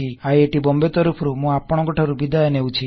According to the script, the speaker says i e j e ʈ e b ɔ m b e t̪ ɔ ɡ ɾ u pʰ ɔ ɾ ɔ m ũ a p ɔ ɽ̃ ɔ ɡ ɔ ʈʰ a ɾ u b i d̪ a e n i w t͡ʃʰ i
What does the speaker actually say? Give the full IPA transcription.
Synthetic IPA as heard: i a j e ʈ i b ɔ m b e t̪ ɔ ɾ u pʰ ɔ ɾ u m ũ a p ɔ ɽ̃ ɔ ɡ ɔ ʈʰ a ɾ u b i d̪ a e n e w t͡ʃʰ i